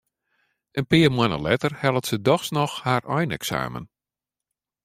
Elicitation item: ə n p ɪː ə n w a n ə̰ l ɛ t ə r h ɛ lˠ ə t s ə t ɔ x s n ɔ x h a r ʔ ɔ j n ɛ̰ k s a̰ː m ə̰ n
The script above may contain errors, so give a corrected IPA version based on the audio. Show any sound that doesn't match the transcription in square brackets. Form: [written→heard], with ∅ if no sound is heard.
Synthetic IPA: ə n p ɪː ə [n→m] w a n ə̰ l ɛ t ə r h ɛ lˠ ə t s ə [t→d] ɔ x s n ɔ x h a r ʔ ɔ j n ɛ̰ k s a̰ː m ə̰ n